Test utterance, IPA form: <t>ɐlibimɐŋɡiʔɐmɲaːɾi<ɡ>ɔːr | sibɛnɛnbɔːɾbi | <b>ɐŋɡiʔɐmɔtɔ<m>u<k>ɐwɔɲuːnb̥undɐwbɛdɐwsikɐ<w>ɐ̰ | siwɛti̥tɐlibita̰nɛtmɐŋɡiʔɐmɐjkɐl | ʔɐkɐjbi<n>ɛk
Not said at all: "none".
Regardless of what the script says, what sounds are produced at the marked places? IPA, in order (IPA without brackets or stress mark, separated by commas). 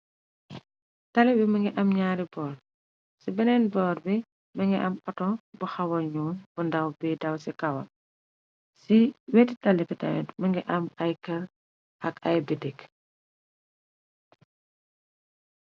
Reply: t, b, m, b, x, w, d